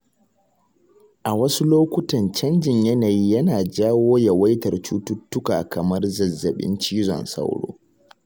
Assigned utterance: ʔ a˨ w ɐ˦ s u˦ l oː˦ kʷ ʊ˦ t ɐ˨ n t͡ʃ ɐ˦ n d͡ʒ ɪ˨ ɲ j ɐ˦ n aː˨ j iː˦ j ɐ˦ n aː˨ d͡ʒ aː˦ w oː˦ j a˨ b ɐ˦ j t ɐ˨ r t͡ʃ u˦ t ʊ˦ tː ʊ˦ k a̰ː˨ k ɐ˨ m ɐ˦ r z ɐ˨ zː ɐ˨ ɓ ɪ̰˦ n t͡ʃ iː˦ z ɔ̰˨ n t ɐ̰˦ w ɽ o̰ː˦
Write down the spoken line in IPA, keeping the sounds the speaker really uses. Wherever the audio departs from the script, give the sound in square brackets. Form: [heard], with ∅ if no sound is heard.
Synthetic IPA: ʔ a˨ w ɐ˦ s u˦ l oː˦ kʷ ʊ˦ t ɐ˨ n t͡ʃ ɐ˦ n d͡ʒ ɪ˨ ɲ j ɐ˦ n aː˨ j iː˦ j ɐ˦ n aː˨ d͡ʒ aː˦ w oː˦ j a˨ [w] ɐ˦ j t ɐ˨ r t͡ʃ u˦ t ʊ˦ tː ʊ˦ k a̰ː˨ k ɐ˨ m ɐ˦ r z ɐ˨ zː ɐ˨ ɓ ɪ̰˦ n t͡ʃ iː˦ z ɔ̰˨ n [s] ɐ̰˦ w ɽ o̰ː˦